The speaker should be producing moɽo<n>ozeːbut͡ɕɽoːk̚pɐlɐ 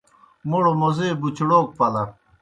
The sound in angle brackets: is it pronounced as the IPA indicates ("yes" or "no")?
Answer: no